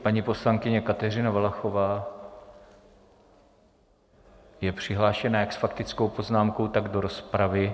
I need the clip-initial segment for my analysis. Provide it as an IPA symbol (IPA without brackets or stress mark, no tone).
p